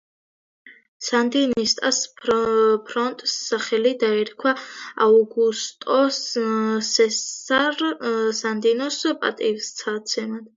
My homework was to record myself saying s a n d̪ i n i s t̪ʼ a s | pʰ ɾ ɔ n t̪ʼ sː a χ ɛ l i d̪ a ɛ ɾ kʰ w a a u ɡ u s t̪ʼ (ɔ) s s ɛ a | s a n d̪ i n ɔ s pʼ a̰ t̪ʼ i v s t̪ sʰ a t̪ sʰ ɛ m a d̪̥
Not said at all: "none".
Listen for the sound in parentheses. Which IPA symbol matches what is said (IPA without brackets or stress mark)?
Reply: ɔ